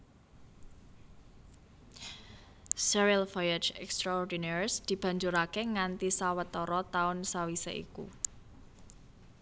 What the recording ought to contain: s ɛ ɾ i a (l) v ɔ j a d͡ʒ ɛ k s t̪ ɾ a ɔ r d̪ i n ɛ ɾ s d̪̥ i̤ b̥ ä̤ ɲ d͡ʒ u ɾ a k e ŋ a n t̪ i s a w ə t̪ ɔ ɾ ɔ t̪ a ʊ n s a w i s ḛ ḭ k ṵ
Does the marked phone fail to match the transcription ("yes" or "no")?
no